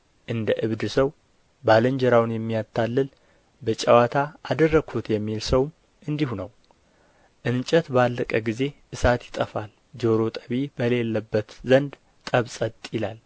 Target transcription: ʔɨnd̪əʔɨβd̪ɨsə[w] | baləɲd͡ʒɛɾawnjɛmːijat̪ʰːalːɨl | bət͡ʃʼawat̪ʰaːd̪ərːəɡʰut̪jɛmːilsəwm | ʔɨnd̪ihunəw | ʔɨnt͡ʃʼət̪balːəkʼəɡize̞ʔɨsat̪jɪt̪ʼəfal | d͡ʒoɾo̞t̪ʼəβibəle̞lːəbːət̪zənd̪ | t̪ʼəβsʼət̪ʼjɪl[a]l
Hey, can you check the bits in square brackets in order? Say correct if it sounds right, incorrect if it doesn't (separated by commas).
correct, correct